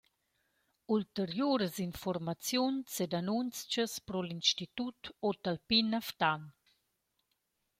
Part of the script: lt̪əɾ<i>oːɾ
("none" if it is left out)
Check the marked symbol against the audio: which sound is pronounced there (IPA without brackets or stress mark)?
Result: j